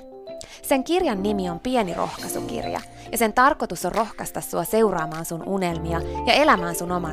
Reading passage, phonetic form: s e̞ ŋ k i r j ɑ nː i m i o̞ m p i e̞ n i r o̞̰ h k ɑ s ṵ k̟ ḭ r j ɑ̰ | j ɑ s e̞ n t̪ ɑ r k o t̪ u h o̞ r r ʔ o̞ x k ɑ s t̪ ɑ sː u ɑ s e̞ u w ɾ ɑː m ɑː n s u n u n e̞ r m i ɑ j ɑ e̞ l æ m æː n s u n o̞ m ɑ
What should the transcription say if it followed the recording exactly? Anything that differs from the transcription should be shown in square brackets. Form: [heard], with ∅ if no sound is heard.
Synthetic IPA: s e̞ ŋ k i r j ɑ nː i m i o̞ m p i e̞ n i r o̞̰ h k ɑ s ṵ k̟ ḭ r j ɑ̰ | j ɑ s e̞ n t̪ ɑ r k o t̪ u [s] o̞ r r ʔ o̞ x k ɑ s t̪ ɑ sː u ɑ s e̞ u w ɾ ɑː m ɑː n s u n u n e̞ [l] m i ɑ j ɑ e̞ l æ m æː n s u n o̞ m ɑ